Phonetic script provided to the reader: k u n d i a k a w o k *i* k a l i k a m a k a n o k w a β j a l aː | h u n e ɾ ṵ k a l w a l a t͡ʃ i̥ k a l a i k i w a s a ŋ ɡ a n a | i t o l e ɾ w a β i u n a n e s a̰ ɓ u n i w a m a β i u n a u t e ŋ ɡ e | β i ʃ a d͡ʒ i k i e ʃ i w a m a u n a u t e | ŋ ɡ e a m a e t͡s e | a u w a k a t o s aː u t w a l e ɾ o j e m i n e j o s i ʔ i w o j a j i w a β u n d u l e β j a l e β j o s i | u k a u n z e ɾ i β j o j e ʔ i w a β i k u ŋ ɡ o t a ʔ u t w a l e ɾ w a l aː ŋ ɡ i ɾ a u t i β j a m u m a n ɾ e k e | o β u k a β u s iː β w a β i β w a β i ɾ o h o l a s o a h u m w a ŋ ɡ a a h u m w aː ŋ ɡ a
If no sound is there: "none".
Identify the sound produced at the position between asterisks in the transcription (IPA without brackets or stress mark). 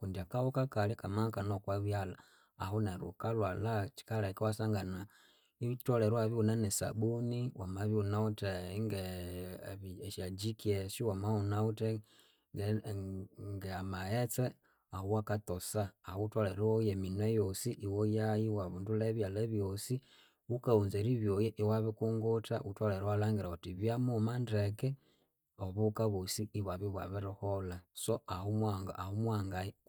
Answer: a